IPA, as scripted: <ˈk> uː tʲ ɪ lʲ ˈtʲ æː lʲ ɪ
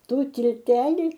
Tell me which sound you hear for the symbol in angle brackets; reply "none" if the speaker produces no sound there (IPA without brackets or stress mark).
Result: t